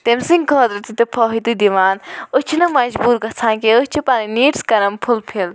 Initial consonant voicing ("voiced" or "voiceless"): voiceless